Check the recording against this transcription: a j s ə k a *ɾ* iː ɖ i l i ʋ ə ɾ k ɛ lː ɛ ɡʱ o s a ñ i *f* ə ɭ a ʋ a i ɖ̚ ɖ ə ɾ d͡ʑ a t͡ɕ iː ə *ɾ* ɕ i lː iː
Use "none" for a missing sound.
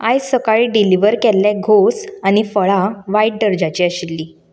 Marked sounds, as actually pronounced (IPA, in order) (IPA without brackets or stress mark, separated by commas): ɭ, f, none